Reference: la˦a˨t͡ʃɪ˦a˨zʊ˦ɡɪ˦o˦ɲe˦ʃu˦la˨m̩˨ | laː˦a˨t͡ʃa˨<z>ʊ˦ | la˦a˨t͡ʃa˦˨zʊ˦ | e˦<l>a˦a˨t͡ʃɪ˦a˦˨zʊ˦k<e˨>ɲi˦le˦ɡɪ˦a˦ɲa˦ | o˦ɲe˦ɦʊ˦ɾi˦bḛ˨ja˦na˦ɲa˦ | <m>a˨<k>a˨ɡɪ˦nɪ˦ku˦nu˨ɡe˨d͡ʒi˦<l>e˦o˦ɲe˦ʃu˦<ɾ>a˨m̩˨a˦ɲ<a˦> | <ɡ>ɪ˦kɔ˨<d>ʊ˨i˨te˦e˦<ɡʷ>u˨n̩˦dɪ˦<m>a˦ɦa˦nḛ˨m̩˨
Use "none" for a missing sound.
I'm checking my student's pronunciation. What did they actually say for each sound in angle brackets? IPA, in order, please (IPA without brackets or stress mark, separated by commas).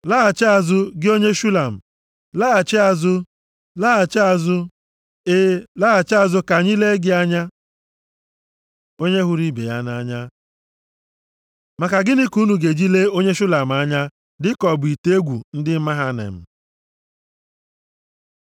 z, l, a˨, m, k, l, l, a˦, d, b, ɡʷ, m